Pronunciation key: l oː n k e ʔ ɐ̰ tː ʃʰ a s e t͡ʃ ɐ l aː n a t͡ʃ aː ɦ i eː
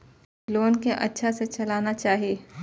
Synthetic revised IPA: l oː n k e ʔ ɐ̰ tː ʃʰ a s e t͡ʃ ɐ l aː n a t͡ʃ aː ɦ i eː